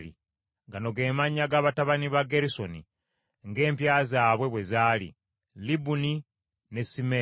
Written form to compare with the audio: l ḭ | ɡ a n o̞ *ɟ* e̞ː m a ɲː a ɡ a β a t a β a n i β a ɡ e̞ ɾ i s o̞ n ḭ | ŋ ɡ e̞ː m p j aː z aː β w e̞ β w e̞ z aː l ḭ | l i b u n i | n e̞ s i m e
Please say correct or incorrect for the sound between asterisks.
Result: incorrect